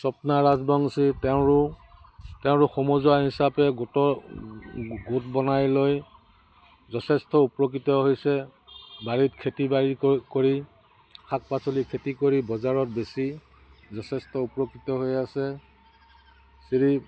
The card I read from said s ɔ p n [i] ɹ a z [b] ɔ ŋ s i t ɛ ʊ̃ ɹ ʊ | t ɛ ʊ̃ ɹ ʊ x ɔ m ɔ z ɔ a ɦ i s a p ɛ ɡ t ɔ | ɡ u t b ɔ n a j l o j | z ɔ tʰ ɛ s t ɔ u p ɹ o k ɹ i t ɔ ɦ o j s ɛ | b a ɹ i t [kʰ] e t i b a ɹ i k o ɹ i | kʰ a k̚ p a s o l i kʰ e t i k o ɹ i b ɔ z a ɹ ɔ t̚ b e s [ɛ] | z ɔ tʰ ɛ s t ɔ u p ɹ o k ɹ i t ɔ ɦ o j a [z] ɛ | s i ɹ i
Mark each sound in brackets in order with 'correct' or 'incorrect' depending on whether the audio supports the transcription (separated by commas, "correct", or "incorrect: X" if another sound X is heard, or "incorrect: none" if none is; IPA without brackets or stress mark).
incorrect: a, correct, correct, incorrect: i, incorrect: s